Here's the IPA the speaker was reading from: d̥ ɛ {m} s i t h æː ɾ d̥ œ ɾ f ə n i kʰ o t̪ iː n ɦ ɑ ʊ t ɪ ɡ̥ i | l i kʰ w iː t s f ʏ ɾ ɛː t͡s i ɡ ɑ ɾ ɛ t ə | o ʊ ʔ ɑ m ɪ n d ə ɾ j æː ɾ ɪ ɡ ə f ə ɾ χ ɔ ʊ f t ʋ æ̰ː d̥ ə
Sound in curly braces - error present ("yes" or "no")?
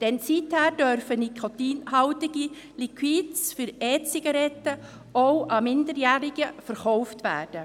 yes